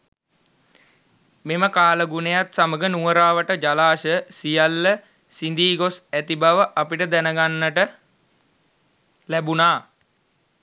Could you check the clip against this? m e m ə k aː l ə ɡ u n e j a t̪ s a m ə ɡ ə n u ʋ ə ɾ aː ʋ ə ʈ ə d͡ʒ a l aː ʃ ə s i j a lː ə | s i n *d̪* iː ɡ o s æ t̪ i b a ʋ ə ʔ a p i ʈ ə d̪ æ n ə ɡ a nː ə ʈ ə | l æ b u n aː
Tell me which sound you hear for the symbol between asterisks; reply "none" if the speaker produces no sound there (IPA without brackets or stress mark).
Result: d̪